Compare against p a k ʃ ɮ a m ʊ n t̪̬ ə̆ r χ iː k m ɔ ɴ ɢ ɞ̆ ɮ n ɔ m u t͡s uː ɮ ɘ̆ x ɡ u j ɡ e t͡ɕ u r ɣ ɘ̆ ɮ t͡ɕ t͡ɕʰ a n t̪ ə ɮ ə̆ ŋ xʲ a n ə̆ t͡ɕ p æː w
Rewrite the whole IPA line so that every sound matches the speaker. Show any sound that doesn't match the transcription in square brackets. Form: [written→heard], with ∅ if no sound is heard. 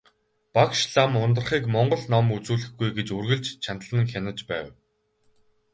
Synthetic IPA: p a k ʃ ɮ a m ʊ n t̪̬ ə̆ r χ iː k m ɔ ɴ ɢ ɞ̆ ɮ n ɔ m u t͡s uː ɮ ɘ̆ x ɡ u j ɡ e t͡ɕ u r ɣ ɘ̆ ɮ t͡ɕ t͡ɕʰ a n t̪ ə ɮ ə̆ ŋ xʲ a n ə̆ t͡ɕ p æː w

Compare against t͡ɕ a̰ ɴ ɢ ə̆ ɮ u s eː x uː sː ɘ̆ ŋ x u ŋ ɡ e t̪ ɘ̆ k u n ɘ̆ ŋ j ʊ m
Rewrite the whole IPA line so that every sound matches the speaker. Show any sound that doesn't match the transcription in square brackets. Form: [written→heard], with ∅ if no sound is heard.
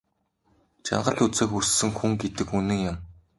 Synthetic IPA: t͡ɕ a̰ ɴ ɢ ə̆ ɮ u [s→t͡s] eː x [uː→u] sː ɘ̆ ŋ x u ŋ ɡ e t̪ ɘ̆ k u n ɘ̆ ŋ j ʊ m

